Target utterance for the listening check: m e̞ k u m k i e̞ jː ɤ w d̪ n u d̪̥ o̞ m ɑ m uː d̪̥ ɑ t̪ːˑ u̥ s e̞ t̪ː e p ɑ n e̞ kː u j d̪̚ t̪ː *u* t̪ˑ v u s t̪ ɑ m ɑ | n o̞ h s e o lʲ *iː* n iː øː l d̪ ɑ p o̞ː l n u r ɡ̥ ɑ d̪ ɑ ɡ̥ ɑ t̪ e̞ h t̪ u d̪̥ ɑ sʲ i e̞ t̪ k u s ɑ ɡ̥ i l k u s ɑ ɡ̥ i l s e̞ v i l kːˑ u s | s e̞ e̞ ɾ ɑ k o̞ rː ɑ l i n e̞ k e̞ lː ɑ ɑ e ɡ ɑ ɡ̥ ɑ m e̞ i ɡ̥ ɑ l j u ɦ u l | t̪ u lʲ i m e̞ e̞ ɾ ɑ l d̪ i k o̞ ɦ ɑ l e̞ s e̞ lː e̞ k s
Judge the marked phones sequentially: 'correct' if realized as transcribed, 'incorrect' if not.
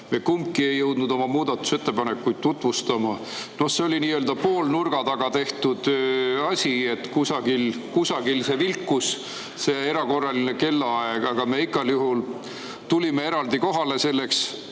correct, incorrect: i

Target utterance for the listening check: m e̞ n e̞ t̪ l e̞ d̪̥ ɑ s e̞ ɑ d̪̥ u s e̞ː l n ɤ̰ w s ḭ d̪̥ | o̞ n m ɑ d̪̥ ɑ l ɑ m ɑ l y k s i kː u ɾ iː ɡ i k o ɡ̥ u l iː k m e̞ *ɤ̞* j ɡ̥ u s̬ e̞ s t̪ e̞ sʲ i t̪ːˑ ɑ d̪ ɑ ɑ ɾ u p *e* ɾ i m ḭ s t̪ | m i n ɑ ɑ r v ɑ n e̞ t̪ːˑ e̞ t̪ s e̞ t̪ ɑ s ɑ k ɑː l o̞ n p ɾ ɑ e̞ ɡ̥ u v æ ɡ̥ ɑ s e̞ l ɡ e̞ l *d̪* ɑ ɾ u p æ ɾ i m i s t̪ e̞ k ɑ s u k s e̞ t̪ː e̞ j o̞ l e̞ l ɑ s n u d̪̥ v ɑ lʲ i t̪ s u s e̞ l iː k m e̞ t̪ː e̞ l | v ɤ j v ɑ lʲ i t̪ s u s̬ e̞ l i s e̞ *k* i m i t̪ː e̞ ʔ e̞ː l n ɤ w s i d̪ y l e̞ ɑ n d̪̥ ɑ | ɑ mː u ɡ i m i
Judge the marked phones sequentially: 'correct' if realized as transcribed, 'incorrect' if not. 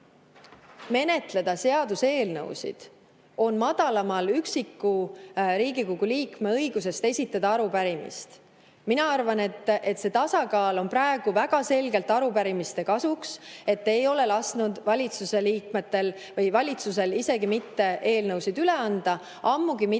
correct, incorrect: æ, incorrect: t̪, incorrect: ɡ

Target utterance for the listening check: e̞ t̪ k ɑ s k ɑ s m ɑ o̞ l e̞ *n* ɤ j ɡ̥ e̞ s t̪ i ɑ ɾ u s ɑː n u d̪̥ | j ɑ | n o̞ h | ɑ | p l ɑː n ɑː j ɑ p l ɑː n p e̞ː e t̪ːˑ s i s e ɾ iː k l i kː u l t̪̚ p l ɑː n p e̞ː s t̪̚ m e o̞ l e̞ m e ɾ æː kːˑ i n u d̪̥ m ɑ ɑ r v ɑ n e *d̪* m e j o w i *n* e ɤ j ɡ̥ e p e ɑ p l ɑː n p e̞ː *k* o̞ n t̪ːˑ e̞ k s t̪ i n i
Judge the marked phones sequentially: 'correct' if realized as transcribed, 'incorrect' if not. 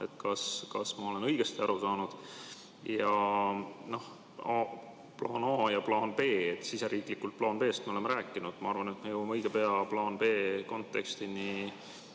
correct, incorrect: t̪, incorrect: m, correct

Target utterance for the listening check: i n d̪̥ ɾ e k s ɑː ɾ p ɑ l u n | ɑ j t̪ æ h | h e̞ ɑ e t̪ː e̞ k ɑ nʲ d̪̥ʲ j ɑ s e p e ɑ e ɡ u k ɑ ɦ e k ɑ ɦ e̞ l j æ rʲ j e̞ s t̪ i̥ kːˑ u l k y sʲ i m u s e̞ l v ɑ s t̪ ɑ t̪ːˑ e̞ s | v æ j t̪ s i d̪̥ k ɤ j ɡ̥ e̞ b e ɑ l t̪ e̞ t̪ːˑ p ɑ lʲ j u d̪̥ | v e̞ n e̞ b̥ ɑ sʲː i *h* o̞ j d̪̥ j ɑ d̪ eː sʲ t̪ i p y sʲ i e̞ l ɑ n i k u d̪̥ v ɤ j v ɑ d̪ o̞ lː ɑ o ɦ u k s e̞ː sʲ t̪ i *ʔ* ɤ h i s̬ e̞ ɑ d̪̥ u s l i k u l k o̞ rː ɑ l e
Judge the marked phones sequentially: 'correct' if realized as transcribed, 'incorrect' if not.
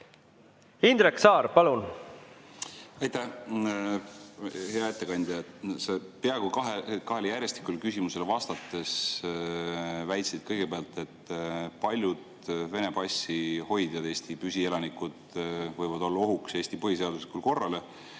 correct, incorrect: p

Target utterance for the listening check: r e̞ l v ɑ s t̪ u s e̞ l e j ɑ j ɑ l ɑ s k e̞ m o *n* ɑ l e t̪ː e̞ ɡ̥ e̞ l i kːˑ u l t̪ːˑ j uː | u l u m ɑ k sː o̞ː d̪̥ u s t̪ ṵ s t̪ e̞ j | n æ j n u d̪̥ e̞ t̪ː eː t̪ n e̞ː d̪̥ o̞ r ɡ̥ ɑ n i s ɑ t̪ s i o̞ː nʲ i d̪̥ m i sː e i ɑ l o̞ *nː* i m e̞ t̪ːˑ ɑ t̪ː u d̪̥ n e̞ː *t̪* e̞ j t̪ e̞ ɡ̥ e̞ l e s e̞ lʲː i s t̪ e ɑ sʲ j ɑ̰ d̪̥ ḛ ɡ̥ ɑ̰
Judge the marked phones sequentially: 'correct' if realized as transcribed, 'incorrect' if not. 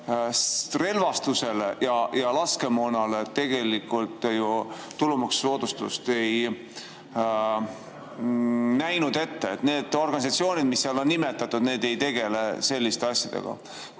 correct, correct, incorrect: d̪

